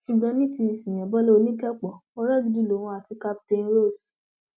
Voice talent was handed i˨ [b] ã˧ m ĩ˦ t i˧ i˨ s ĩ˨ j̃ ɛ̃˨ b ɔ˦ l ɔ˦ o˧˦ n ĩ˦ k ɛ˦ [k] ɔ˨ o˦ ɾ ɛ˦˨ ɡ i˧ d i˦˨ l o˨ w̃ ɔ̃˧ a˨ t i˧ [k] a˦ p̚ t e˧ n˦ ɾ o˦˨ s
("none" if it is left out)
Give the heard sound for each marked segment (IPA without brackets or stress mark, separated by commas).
ɡ͡b, k͡p, k